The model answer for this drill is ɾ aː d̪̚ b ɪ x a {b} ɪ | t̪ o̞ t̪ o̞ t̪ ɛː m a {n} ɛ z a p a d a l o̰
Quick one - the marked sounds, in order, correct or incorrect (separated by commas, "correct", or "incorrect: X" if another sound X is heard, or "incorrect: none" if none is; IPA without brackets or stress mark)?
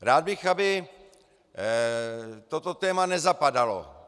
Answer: correct, correct